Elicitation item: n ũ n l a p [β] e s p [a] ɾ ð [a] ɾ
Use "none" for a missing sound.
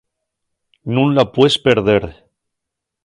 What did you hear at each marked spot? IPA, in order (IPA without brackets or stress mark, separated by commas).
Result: w, e, e